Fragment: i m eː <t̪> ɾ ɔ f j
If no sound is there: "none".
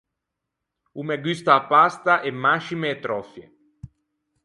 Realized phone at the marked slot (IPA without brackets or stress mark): t̪